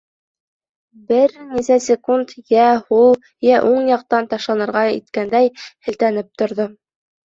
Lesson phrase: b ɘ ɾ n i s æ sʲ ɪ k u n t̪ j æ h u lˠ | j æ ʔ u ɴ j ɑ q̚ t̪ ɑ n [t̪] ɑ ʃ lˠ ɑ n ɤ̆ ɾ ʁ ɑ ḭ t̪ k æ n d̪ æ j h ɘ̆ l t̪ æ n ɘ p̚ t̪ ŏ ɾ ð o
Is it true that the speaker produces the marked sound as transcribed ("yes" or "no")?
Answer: yes